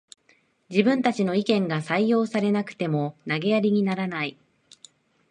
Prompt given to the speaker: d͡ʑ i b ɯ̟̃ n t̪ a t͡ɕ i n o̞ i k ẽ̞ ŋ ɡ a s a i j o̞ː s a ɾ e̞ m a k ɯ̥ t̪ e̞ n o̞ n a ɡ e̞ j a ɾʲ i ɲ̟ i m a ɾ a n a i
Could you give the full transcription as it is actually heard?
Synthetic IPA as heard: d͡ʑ i b ɯ̟̃ n t̪ a t͡ɕ i n o̞ i k ẽ̞ ŋ ɡ a s a i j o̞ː s a ɾ e̞ n a k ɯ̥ t̪ e̞ m o̞ n a ɡ e̞ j a ɾʲ i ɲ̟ i n a ɾ a n a i